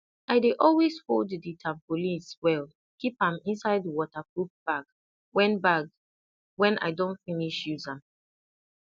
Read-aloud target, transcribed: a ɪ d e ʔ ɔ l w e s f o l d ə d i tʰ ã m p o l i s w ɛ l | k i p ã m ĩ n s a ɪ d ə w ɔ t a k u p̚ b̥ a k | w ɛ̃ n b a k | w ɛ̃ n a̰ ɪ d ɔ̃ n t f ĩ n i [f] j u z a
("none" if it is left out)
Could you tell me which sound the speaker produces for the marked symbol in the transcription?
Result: ʃ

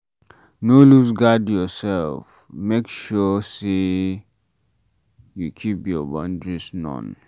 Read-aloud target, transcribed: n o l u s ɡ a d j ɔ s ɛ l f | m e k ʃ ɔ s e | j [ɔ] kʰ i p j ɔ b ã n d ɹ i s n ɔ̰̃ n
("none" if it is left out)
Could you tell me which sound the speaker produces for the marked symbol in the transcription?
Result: u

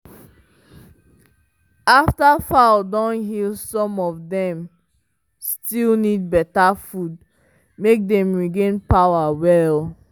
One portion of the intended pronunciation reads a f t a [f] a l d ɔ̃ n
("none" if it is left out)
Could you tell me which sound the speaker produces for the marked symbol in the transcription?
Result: f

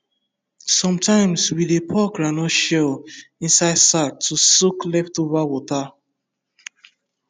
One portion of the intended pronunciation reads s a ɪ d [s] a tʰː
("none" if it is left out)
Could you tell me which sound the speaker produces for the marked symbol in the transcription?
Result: s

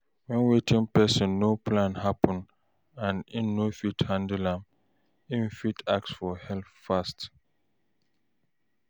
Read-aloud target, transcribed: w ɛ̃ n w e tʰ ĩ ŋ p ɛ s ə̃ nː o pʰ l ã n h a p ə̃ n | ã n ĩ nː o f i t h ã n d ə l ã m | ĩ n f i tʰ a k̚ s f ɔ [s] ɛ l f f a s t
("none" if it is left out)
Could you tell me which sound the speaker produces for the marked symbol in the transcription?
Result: h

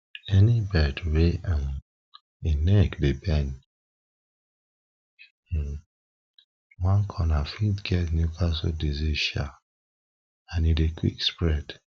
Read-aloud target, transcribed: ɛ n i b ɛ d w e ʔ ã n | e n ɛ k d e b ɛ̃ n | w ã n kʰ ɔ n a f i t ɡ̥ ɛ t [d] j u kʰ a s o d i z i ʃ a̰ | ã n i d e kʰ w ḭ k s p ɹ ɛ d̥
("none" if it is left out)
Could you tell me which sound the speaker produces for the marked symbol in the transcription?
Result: n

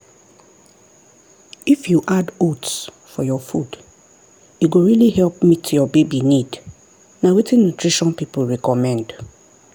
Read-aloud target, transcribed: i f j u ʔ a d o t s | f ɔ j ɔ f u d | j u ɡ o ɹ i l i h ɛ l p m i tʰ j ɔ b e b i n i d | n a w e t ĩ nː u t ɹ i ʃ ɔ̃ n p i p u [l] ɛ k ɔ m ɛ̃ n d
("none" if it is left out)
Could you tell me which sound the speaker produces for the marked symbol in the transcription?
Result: ɹ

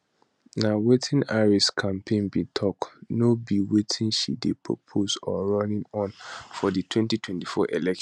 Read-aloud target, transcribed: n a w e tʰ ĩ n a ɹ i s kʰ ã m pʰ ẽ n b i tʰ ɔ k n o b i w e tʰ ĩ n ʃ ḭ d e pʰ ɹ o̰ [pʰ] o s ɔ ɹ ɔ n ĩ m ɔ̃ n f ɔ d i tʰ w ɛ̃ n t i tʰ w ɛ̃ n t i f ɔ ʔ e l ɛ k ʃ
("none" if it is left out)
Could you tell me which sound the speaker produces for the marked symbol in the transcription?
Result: pʰ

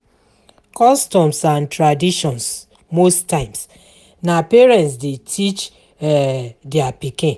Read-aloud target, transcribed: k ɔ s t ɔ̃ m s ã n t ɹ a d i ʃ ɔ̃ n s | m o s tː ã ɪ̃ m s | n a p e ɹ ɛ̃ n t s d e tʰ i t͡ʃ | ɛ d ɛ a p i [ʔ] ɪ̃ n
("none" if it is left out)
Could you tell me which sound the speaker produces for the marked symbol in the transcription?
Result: k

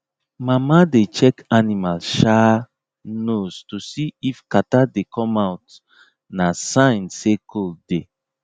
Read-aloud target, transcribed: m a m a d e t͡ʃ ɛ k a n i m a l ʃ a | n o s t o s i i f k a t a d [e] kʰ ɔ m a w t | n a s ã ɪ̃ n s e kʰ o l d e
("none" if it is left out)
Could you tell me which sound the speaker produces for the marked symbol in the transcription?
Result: e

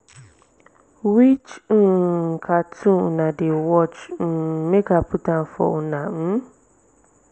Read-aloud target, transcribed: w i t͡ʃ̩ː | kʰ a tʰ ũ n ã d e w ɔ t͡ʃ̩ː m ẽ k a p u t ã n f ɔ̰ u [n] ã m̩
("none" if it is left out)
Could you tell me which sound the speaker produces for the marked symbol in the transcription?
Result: n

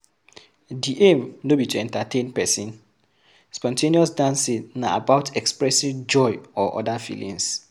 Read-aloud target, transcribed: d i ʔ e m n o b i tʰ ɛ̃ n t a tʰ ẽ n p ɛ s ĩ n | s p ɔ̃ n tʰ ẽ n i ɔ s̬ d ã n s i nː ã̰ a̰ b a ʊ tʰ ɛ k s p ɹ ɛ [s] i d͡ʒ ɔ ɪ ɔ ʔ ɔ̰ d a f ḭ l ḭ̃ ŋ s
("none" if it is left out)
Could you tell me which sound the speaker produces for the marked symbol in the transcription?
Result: s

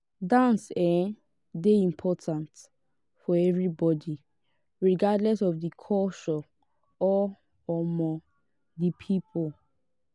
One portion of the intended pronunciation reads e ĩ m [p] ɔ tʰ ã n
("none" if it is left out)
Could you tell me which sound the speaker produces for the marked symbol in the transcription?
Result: pʰ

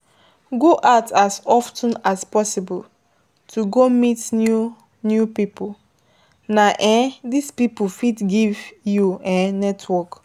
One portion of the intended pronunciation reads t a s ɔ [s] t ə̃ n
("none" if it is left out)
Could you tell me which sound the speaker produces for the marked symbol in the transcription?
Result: f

